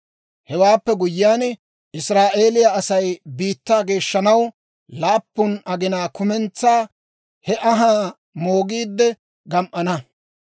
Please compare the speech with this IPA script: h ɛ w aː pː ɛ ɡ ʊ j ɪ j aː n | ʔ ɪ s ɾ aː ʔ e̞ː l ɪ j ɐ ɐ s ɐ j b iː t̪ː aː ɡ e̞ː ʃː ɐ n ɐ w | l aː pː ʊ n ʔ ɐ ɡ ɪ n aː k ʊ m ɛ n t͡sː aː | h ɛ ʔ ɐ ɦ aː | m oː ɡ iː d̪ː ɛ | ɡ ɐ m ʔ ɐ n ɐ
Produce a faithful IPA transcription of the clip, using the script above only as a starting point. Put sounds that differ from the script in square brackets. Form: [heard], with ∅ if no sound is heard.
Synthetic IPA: h ɛ w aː pː ɛ ɡ ʊ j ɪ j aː n | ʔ ɪ s ɾ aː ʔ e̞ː l ɪ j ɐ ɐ s ɐ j b iː t̪ː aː ɡ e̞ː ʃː ɐ n ɐ w | l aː pː ʊ n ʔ ɐ ɡ ɪ n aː k ʊ m ɛ n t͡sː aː | h ɛ ʔ ɐ ɦ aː | m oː ɡ iː d̪ː ɛ | ɡ ɐ m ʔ ɐ n ɐ